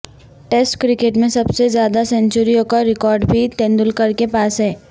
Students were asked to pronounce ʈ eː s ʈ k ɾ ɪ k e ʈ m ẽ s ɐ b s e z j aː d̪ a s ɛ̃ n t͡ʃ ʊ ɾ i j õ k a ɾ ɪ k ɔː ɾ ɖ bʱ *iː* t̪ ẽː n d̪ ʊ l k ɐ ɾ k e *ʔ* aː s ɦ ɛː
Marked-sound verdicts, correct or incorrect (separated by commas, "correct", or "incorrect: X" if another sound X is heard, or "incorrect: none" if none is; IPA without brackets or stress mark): incorrect: i, incorrect: p